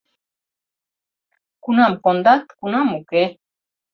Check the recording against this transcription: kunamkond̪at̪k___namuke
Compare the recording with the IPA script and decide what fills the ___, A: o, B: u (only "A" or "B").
B